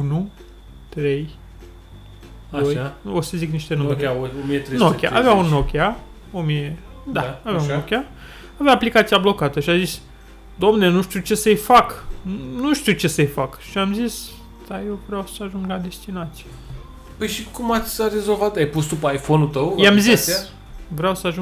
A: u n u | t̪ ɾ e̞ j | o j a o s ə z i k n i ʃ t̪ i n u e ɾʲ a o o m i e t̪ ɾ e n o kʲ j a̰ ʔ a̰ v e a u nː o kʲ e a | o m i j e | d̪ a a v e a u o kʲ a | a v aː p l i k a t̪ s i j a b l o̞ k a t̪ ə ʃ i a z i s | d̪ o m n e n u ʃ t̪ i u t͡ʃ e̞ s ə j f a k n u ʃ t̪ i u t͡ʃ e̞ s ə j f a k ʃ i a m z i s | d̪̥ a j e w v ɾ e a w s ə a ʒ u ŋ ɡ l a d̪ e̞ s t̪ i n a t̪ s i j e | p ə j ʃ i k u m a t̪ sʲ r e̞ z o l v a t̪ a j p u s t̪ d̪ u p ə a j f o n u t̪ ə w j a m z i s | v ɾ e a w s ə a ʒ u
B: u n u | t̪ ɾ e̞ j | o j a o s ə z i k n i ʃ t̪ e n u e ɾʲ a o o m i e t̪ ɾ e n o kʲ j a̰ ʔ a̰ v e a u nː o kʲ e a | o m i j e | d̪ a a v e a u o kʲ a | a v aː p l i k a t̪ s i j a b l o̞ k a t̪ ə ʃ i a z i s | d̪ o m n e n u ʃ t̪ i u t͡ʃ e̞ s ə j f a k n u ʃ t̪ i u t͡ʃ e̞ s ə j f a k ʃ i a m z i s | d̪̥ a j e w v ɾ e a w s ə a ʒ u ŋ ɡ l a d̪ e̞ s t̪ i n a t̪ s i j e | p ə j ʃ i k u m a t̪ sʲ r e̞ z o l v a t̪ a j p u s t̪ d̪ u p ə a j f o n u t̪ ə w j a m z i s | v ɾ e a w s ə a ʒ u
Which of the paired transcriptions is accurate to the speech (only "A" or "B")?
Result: B